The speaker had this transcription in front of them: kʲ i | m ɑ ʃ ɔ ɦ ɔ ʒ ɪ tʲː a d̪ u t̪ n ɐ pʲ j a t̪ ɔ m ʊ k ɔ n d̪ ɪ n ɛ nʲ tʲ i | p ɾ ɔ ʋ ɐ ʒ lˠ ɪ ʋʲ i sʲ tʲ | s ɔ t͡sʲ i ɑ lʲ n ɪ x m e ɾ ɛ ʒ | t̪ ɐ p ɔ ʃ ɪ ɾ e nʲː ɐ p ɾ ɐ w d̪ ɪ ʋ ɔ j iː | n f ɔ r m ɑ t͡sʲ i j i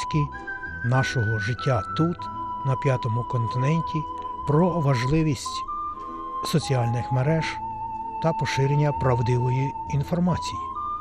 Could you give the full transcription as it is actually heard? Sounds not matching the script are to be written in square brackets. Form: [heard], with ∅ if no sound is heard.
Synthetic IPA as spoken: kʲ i | [n] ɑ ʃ ɔ ɦ ɔ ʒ ɪ tʲː a [t̪] u t̪ n ɐ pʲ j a t̪ ɔ m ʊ k ɔ n [t̪] ɪ n ɛ nʲ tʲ i | p ɾ ɔ ʋ ɐ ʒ lˠ ɪ ʋʲ i sʲ tʲ | s ɔ t͡sʲ i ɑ lʲ n ɪ x m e ɾ ɛ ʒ | t̪ ɐ p ɔ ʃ ɪ ɾ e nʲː ɐ p ɾ ɐ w d̪ ɪ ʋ ɔ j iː | n f ɔ r m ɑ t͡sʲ i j i